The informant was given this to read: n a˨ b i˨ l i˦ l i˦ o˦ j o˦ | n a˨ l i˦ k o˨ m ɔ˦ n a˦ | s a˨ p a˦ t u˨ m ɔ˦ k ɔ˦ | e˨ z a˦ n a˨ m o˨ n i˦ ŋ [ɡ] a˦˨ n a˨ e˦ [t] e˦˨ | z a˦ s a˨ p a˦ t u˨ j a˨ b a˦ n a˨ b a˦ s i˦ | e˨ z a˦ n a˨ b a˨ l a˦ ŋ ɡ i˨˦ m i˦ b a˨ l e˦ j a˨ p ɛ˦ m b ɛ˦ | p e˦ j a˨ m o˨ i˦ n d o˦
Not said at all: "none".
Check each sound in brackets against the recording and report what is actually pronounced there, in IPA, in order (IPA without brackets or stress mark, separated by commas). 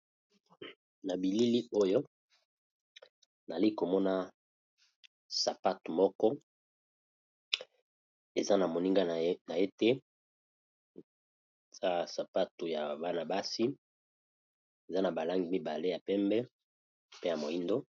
ɡ, t